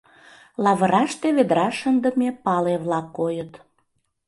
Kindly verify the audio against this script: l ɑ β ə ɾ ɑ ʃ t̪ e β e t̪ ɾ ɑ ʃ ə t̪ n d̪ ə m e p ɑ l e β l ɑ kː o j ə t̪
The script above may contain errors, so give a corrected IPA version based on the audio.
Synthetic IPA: l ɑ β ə ɾ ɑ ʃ t̪ e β e d̪ ɾ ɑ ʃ ə n d̪ ə m e p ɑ l e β l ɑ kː o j ə t̪